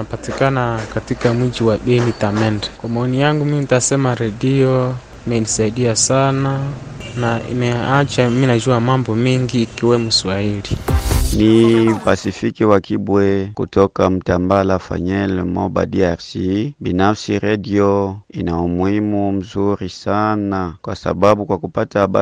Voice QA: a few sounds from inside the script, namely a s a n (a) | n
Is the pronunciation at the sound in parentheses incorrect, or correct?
correct